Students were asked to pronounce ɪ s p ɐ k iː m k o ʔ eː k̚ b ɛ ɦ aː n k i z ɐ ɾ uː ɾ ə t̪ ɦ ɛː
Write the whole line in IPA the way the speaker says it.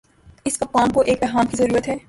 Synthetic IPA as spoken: ɪ s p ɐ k aː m k o ʔ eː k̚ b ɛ ɦ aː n k i z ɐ ɾ uː ɾ ə t̪ ɦ ɛː